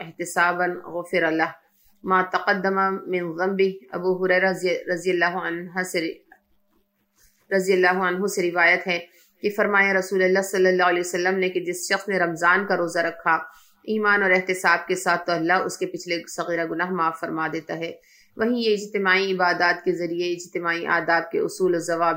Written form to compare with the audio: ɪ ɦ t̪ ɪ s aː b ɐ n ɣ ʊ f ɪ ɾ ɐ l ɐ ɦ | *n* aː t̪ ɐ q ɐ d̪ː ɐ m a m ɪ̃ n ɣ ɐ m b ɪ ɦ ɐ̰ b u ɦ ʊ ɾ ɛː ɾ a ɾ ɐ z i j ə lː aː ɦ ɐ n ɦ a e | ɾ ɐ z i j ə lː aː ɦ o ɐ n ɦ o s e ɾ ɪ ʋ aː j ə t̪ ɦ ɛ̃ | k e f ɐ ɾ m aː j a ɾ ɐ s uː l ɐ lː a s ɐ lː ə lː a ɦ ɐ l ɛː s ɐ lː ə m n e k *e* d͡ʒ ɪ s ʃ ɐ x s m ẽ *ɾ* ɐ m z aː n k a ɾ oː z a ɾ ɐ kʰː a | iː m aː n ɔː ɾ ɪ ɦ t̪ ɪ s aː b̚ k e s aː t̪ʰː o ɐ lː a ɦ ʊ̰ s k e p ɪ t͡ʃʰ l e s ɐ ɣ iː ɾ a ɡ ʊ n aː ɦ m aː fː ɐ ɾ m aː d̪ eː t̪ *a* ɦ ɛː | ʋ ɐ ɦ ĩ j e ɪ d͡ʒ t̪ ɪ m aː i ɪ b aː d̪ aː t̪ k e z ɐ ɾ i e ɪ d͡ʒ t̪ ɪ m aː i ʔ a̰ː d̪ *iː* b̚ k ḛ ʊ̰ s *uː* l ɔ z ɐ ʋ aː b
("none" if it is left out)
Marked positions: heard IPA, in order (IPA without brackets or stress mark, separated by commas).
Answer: m, e, ɾ, a, aː, uː